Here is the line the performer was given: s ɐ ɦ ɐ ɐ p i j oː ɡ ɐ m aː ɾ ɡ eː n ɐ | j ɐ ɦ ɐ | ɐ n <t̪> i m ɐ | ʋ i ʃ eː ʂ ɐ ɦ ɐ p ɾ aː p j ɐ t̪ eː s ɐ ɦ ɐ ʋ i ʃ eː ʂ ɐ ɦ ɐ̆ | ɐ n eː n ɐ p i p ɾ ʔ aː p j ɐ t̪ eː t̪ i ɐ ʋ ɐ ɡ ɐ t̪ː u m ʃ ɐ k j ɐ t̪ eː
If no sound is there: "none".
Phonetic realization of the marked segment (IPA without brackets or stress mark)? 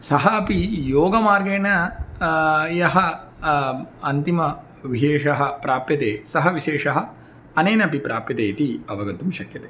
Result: t̪